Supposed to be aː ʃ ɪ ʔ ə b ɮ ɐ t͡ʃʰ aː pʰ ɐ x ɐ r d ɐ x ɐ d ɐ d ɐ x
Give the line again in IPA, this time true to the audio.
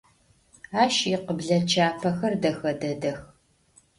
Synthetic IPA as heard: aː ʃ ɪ q ə b ɮ ɐ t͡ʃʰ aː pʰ ɐ x ɐ r d ɐ x ɐ d ɐ d ɐ x